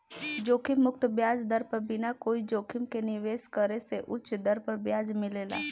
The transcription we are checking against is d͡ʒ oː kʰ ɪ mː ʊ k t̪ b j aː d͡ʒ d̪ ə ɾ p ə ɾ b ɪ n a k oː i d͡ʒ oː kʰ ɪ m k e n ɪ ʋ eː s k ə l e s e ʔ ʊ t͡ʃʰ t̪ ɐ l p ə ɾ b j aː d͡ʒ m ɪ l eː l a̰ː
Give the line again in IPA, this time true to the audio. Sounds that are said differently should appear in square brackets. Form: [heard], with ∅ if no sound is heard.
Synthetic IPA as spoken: d͡ʒ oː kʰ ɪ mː ʊ k t̪ b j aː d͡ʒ d̪ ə ɾ p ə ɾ b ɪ n a k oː i d͡ʒ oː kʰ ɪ m k e n ɪ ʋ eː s k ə [ɾ] e s e ʔ ʊ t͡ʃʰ [d̪] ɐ [ɾ] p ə ɾ b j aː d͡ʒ m ɪ l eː l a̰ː